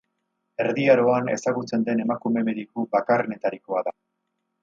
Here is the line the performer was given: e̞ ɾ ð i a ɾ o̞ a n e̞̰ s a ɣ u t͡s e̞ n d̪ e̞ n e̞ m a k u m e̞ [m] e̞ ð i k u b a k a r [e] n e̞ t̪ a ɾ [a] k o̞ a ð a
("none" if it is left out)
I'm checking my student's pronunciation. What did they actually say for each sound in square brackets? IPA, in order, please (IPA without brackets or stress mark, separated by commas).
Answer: m, e, i